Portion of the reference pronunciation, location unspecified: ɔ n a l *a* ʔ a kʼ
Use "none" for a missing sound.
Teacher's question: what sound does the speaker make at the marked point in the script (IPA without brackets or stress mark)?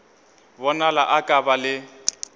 a